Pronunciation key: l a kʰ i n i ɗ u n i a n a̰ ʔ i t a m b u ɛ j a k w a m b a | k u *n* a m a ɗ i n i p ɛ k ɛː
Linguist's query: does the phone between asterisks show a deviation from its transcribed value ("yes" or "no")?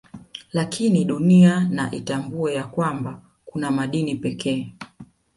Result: no